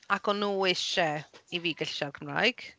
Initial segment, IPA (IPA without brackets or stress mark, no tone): a